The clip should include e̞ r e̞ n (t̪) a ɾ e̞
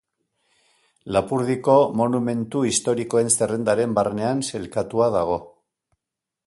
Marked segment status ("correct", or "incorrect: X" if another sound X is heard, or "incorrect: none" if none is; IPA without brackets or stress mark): incorrect: d̪